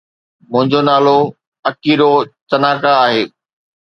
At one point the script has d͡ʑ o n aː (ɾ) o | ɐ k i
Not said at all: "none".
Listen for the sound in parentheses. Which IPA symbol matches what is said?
l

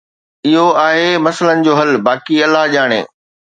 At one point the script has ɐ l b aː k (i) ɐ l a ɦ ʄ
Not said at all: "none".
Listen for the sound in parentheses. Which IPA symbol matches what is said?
i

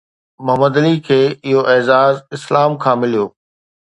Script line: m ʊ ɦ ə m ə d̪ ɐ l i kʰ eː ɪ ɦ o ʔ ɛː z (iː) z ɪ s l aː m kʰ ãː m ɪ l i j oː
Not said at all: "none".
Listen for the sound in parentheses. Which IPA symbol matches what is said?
aː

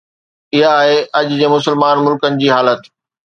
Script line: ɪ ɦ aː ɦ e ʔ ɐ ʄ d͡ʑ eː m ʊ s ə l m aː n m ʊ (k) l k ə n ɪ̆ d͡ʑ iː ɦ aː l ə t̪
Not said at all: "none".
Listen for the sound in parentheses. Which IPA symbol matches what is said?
none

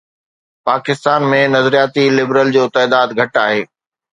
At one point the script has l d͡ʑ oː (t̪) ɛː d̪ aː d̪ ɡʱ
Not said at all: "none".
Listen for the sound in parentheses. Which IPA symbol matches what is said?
t̪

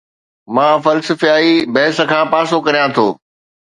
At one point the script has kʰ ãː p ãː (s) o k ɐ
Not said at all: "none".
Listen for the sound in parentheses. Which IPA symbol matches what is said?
s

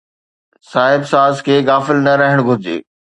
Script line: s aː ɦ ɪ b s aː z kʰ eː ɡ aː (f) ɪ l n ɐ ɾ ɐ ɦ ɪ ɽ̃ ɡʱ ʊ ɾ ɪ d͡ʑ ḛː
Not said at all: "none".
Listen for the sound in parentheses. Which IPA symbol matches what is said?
f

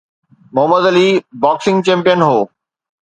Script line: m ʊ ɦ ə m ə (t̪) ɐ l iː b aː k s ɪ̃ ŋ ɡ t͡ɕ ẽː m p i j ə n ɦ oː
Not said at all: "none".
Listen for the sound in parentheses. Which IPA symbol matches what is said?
d̪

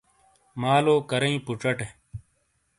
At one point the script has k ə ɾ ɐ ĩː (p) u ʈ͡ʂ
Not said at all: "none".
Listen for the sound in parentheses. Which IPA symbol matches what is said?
p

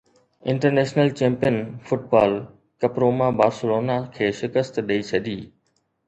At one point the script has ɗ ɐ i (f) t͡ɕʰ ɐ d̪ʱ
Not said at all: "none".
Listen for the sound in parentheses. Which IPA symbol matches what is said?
none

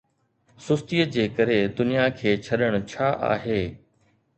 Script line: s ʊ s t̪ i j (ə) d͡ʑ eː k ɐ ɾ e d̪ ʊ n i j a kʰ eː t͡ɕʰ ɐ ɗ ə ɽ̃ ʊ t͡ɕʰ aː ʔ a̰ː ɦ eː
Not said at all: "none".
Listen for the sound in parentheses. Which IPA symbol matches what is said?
ə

